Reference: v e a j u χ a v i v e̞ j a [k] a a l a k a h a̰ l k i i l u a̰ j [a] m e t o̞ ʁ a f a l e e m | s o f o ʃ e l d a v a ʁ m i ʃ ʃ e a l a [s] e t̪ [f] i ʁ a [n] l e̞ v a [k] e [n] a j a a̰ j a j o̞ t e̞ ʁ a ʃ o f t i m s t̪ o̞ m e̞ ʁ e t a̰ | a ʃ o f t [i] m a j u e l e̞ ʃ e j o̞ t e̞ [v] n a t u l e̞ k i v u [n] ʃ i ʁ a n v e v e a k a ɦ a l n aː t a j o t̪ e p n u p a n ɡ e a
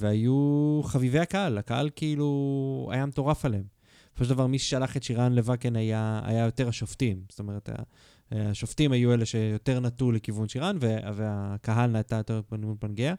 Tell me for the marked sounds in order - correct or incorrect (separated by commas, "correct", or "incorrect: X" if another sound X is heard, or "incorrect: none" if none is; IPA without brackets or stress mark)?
correct, correct, incorrect: χ, incorrect: ʃ, correct, correct, correct, correct, incorrect: ʁ, correct